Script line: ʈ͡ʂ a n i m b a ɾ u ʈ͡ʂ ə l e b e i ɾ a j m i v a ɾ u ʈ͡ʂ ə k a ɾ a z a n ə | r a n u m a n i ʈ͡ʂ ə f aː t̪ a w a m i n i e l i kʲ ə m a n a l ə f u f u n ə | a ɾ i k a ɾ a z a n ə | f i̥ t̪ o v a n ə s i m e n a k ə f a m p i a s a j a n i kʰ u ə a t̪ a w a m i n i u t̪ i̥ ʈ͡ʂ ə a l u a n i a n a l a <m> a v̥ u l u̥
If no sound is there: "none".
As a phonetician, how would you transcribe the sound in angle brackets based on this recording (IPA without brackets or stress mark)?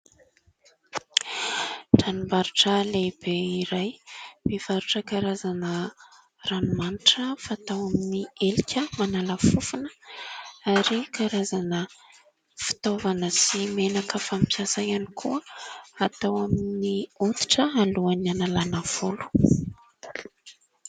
n